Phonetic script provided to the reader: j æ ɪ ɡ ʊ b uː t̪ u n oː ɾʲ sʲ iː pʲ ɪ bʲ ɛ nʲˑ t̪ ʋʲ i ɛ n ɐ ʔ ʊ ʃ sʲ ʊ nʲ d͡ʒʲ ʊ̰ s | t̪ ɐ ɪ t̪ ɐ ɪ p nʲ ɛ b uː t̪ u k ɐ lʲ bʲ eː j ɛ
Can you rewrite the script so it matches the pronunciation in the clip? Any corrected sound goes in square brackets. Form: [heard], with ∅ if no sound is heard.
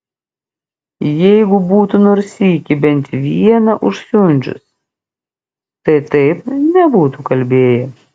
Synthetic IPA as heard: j [ɛ] ɪ ɡ ʊ b uː t̪ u n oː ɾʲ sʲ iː [kʲ] ɪ bʲ ɛ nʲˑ t̪ ʋʲ i ɛ n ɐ ʔ ʊ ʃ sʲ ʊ nʲ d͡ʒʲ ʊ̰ s | t̪ ɐ ɪ t̪ ɐ ɪ p nʲ ɛ b uː t̪ u k ɐ lʲ bʲ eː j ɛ